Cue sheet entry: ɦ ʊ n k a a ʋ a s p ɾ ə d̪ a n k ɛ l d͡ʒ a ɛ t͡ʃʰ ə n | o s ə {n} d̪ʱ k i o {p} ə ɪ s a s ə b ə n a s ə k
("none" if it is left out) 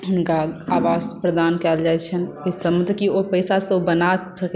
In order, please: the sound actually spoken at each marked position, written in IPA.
m, p

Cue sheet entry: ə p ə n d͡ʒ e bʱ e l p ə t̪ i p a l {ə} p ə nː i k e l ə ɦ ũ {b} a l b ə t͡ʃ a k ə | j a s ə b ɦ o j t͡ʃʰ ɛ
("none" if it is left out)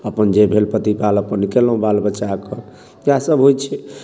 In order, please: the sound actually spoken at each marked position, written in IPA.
ə, b

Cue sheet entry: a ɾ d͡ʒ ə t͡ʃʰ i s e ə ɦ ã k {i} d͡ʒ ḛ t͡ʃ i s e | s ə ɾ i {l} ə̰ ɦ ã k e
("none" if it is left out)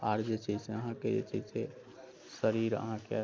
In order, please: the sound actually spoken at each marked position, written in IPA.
e, ɾ

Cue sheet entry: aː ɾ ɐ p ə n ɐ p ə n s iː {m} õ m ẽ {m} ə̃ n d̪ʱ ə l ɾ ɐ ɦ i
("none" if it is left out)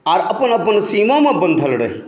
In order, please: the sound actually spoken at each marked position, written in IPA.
m, b

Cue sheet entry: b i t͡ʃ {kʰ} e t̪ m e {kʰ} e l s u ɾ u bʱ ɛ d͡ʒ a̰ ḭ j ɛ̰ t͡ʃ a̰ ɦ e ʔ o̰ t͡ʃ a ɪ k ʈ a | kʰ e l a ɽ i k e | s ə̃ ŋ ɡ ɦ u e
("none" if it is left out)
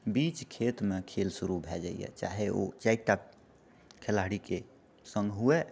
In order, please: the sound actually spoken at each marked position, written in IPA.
kʰ, kʰ

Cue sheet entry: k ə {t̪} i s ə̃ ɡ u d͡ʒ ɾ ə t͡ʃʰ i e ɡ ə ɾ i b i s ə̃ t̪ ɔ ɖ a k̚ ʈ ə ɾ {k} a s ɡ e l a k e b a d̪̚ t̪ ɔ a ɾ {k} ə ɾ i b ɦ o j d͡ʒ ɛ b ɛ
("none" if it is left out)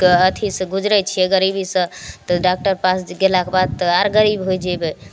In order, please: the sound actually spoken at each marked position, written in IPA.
t̪ʰ, p, ɡ

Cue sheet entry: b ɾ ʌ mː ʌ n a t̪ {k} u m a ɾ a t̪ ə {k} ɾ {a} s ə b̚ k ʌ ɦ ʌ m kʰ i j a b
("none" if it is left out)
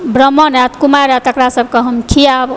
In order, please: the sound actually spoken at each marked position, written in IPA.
k, k, a

